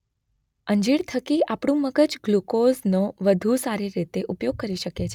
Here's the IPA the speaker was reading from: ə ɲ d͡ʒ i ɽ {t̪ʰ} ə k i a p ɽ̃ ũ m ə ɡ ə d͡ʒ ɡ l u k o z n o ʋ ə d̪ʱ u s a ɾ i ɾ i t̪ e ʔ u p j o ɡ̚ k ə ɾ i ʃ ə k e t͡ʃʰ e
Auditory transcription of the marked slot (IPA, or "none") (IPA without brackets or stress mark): t̪ʰ